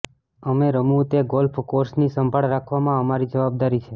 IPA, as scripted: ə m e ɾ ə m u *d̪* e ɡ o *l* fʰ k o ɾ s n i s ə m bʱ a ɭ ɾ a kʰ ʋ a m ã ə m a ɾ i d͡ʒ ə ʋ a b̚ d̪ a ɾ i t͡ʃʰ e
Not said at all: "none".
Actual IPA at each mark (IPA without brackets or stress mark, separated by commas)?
t̪, l